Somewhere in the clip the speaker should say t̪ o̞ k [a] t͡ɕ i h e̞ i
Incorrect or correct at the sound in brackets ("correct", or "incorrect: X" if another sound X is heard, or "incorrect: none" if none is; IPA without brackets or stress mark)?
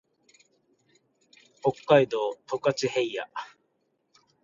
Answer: correct